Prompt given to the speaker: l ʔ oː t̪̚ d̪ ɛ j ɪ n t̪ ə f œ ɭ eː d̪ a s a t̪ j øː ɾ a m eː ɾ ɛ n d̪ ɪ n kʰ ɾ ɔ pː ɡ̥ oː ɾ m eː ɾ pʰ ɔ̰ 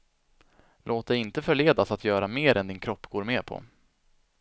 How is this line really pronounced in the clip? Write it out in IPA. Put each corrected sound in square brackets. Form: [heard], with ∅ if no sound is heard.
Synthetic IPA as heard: l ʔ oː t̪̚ d̪ ɛ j ɪ n t̪ ə f œ ɭ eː d̪ a s a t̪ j [œː] ɾ a m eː ɾ ɛ n d̪ ɪ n kʰ ɾ ɔ pː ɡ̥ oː ɾ m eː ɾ pʰ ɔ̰